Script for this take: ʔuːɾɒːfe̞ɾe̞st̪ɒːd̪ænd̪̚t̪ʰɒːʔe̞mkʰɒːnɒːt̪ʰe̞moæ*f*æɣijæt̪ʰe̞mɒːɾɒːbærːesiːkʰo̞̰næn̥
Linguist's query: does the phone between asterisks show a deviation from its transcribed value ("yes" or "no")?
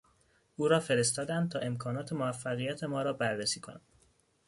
yes